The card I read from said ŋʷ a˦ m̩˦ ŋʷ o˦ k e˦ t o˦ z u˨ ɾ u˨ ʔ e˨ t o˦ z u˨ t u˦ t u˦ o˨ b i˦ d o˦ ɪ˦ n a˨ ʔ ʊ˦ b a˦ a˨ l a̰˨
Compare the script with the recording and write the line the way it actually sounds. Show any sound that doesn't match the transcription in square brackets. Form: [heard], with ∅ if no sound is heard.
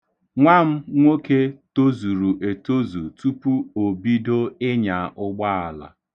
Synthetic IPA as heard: ŋʷ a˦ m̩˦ ŋʷ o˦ k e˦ t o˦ z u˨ ɾ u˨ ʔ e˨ t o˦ z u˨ t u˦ [p] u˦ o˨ b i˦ d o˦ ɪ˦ [ɲ] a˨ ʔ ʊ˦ [ɡ͡b] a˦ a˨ l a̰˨